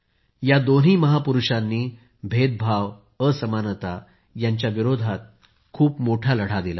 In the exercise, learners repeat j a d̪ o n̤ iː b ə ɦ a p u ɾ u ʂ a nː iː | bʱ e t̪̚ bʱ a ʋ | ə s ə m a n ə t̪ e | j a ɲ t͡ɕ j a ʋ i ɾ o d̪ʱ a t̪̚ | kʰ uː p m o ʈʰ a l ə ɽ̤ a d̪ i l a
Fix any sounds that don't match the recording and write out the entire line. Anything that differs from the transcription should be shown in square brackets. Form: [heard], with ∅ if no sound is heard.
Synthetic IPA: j a d̪ o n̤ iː [m] ə ɦ a p u ɾ u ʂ a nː iː | bʱ e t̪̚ bʱ a ʋ | ə s ə m a n ə t̪ [a] | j a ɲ t͡ɕ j a ʋ i ɾ o d̪ʱ a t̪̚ | kʰ uː p m o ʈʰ a l ə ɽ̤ a d̪ i l a